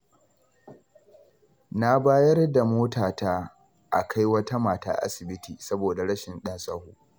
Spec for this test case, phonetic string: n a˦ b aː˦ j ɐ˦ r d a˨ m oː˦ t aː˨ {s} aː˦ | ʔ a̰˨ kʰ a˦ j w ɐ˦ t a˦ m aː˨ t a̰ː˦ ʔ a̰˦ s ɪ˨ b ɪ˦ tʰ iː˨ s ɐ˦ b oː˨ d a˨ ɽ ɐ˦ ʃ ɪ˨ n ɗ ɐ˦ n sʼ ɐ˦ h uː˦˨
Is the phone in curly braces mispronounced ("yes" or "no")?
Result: yes